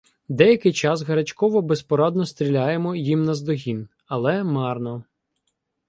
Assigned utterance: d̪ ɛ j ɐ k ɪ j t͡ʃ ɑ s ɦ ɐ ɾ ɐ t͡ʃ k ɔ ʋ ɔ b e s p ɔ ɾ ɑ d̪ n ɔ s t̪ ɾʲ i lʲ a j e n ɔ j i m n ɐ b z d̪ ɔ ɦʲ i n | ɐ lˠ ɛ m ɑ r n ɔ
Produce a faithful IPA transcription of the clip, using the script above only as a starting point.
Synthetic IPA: d̪ ɛ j ɐ k ɪ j t͡ʃ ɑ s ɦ ɐ ɾ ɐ t͡ʃ k ɔ ʋ ɔ b e s p ɔ ɾ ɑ d̪ n ɔ s t̪ ɾʲ i lʲ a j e m ɔ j i m n ɐ z d̪ ɔ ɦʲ i n | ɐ lˠ ɛ m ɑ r n ɔ